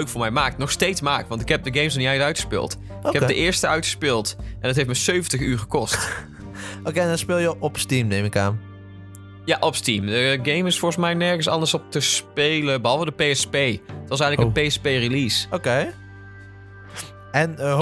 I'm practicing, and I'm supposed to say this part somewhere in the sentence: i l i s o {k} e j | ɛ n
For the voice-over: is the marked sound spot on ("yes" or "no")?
yes